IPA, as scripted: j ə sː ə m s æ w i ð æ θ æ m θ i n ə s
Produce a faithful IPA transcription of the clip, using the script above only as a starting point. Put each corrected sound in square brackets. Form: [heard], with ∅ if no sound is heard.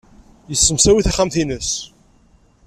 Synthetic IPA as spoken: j ə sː ə m s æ w i [θ] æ [χ] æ m θ i n ə s